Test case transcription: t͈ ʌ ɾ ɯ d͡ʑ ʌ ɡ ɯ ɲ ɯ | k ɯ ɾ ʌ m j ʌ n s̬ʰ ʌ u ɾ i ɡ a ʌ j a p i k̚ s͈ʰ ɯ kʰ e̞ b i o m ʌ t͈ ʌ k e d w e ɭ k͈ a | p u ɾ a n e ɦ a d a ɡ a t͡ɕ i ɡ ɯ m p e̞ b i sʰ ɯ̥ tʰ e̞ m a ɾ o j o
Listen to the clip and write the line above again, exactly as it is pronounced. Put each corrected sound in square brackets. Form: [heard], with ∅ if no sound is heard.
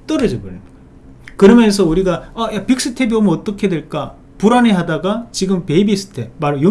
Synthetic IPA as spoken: t͈ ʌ ɾ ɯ d͡ʑ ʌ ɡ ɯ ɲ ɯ | k ɯ ɾ ʌ m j ʌ n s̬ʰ ʌ u ɾ i ɡ a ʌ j a p i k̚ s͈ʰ ɯ [tʰ] e̞ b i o m ʌ t͈ ʌ [kʰ] e d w e ɭ k͈ a | p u ɾ a n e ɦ a d a ɡ a t͡ɕ i ɡ ɯ m p e̞ b i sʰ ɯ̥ tʰ e̞ m a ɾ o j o